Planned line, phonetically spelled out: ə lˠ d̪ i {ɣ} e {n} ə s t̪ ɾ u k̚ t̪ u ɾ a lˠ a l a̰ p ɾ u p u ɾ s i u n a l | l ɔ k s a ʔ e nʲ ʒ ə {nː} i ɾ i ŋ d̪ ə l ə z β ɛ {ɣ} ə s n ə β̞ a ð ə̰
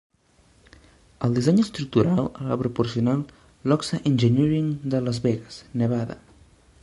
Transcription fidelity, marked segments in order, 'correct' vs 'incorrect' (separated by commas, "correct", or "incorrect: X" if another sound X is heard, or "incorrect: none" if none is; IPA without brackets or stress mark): incorrect: z, incorrect: ɲ, incorrect: n, correct